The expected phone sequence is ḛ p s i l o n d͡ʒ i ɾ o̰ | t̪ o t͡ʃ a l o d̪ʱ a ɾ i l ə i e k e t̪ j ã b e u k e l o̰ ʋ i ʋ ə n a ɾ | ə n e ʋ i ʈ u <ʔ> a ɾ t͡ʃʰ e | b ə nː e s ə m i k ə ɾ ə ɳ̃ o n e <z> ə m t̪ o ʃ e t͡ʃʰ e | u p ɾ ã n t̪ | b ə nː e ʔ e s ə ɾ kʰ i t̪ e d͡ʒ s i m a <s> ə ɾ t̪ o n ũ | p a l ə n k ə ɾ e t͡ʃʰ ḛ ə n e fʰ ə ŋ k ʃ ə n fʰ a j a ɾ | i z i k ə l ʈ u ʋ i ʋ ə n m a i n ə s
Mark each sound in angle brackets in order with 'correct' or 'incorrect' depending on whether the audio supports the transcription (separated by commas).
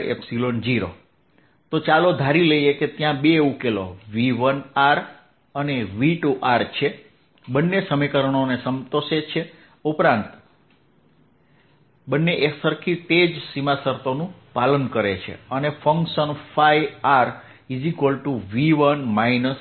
correct, incorrect, correct